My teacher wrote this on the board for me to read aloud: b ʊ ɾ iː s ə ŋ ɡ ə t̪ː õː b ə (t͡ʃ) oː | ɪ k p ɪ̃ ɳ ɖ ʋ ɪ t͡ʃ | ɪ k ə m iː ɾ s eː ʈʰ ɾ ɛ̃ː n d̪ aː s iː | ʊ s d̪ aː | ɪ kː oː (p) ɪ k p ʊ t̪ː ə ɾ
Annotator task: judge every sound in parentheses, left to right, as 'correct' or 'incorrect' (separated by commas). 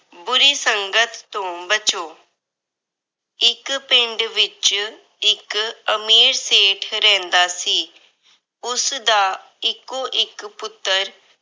correct, incorrect